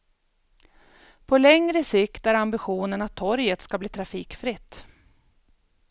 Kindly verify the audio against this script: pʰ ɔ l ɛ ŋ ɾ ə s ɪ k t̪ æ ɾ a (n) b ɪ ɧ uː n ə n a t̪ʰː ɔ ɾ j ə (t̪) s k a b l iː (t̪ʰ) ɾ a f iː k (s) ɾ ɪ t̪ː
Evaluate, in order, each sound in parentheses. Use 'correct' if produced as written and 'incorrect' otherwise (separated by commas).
incorrect, correct, correct, incorrect